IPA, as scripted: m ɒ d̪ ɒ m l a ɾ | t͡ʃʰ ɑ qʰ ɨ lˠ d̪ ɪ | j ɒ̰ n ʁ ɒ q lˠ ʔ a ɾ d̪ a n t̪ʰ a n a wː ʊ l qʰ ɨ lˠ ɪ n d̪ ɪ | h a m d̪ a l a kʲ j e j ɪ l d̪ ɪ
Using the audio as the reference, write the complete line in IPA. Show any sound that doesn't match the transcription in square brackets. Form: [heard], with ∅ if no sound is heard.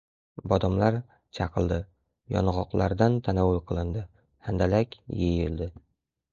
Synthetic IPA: [b] ɒ d̪ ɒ m l a ɾ | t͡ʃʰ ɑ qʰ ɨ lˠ d̪ ɪ | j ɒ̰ n ʁ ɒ q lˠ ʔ a ɾ d̪ a n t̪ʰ a n a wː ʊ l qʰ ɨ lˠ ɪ n d̪ ɪ | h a [n] d̪ a l a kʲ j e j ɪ l d̪ ɪ